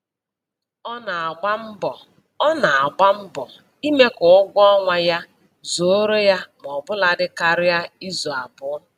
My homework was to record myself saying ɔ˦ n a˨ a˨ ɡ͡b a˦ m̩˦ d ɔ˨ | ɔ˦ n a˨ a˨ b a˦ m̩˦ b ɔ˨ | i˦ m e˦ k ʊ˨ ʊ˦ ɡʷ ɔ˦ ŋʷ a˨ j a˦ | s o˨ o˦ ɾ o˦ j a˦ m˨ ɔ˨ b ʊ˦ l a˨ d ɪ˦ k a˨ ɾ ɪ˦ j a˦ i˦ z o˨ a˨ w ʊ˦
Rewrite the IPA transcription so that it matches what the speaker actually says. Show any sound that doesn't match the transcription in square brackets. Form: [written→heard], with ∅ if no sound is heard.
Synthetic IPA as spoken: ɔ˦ n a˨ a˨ ɡ͡b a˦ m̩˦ [d→b] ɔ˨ | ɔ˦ n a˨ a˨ [b→ɡ͡b] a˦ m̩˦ b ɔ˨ | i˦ m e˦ k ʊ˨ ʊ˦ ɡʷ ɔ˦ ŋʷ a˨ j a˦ | [s→z] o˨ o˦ ɾ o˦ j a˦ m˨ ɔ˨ b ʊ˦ l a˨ d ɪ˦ k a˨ ɾ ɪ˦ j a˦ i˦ z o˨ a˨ [w→b] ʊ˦